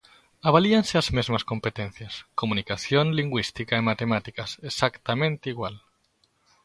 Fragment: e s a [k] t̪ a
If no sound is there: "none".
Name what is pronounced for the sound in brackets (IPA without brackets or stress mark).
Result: k